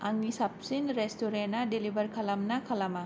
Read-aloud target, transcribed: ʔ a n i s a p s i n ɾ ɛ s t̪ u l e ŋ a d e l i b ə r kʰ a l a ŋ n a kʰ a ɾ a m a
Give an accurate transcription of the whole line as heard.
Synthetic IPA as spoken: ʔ a ŋ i s a p s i n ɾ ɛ s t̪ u ɾ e n a d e l i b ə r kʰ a l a m n a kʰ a l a m a